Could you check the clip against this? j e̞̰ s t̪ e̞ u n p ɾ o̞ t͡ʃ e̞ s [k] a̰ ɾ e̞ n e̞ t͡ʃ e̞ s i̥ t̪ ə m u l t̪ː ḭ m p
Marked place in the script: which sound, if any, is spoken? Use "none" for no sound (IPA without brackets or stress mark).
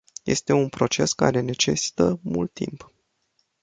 k